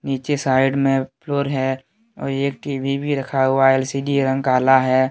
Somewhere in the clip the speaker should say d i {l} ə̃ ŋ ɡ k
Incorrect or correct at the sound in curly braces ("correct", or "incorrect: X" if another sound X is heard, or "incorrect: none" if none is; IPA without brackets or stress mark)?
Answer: incorrect: ɾ